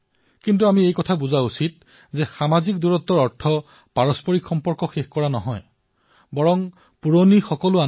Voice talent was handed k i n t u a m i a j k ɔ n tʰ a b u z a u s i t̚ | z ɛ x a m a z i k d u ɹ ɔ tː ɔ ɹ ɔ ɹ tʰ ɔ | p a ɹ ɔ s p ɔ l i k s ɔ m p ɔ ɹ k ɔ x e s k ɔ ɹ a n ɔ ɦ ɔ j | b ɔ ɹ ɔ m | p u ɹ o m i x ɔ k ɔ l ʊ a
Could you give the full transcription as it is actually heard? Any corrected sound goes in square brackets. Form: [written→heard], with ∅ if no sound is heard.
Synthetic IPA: k i n t u a m i [a→e] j k ɔ [n→∅] tʰ a b u z a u s i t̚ | z ɛ x a m a z i k d u ɹ ɔ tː ɔ ɹ ɔ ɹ tʰ ɔ | p a ɹ ɔ s p ɔ [l→ɹ] i k [s→x] ɔ m p ɔ ɹ k ɔ x e [s→x] k ɔ ɹ a n ɔ ɦ ɔ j | b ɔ ɹ ɔ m | p u ɹ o [m→n] i x ɔ k ɔ l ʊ a